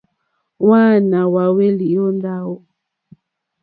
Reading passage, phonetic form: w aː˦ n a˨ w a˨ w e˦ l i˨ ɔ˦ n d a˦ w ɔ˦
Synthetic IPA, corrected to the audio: w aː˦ n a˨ w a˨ w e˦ l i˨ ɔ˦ n d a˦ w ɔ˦